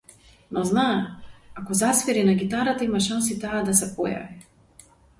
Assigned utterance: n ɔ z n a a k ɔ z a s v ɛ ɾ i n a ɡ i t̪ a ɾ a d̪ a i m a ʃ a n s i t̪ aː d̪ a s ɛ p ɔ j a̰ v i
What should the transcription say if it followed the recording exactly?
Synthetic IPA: n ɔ z n a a k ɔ z a s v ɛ ɾ i n a ɡ i t̪ a ɾ a t̪ a i m a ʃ a n s i t̪ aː d̪ a s ɛ p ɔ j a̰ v i